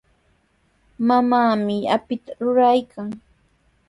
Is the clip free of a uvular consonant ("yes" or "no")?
yes